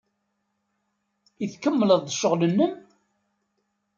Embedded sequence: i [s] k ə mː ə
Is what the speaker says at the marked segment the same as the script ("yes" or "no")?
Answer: no